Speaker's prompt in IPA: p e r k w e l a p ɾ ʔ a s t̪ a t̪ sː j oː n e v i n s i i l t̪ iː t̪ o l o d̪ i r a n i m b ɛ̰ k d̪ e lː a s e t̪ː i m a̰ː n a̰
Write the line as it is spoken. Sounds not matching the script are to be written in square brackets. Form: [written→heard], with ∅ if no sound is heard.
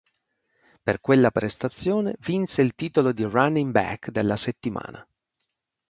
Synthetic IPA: p e r k w e [l→lː] a p ɾ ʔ [a→e] s t̪ a t̪ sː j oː n e v i n s [i→e] i l t̪ iː t̪ o l o d̪ i r a n i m b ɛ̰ k d̪ e lː a s e t̪ː i m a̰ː n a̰